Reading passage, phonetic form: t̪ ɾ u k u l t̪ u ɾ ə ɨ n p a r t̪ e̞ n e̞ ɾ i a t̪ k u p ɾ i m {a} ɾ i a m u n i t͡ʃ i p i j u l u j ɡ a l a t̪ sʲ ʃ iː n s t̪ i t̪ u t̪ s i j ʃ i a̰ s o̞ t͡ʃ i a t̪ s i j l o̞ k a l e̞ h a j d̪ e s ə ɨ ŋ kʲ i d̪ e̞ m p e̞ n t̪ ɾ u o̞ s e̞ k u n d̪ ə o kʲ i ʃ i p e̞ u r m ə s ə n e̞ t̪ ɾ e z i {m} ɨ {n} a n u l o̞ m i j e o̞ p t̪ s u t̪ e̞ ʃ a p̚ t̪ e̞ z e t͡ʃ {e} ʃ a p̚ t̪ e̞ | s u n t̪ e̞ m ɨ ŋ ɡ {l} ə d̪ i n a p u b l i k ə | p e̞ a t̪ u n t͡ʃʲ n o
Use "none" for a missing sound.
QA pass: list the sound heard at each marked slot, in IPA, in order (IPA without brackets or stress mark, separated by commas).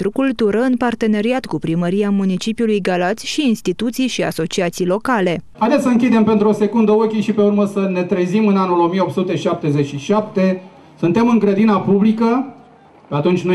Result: ə, m, n, i, ɾ